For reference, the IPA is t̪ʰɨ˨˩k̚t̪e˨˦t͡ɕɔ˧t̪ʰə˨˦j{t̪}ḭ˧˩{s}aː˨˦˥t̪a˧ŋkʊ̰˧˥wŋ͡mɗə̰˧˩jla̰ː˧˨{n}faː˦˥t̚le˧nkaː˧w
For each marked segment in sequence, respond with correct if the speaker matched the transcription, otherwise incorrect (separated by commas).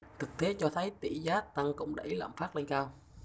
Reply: correct, incorrect, incorrect